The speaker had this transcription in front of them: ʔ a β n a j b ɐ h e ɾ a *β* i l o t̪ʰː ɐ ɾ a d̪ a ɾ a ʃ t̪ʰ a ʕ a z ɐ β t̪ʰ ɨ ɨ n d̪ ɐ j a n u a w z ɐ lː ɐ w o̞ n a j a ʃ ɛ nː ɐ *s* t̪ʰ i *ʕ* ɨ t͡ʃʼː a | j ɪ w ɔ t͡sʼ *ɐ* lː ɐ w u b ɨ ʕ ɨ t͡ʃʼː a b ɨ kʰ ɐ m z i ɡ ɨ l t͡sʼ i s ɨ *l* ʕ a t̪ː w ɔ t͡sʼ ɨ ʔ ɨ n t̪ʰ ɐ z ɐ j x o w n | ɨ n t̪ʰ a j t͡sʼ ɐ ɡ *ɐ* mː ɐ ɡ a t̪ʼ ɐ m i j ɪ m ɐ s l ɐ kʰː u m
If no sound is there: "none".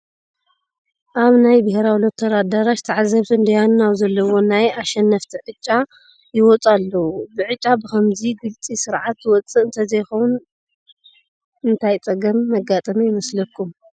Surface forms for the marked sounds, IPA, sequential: w, f, ʕ, a, ɾ, ɐ

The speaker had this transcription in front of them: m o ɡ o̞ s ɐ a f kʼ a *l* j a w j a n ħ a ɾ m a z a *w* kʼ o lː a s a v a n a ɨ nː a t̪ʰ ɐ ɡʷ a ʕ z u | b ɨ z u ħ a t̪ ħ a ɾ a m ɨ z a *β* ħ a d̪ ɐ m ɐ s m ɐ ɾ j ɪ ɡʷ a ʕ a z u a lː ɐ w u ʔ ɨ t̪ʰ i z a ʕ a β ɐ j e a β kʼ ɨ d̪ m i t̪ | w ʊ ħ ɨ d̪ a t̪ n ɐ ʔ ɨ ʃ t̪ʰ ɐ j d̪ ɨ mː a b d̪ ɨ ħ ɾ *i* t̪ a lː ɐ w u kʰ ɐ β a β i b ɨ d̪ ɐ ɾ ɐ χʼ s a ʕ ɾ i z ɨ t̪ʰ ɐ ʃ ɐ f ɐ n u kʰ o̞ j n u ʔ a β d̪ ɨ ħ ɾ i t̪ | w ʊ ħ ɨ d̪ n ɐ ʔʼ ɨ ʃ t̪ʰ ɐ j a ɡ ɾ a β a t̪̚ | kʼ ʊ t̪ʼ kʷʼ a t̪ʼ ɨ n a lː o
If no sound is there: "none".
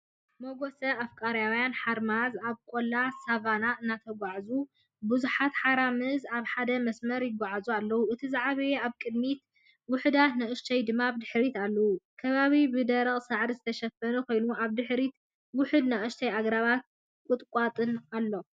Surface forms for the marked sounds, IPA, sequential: ɾ, β, β, i

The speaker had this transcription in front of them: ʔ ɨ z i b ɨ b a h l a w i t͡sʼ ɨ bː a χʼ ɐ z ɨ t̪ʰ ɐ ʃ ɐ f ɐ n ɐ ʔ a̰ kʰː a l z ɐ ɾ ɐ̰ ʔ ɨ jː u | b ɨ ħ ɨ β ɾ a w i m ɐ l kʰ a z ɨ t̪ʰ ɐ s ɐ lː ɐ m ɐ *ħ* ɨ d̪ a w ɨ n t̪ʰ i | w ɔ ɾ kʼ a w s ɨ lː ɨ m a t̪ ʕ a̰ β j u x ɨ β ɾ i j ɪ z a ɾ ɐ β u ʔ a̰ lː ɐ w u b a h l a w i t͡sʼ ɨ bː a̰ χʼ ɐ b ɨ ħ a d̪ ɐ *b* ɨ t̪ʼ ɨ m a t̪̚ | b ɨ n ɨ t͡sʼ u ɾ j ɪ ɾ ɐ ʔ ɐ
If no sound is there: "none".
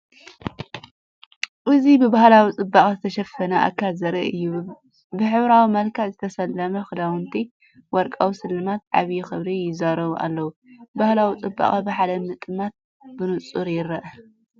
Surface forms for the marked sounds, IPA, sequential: x, m

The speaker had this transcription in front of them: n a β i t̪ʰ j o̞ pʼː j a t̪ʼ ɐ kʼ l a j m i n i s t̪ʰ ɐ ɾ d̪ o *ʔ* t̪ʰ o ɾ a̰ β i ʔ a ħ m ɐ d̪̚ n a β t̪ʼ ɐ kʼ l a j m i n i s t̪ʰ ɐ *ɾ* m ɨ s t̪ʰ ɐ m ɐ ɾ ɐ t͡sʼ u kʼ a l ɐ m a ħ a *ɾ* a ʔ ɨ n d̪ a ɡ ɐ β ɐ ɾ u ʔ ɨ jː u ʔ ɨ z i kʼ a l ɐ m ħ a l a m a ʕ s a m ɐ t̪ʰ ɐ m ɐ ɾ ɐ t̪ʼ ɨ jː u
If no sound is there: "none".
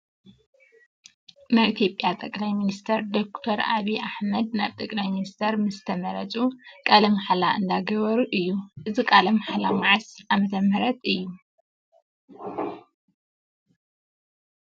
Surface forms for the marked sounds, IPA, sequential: k, ɾ, l

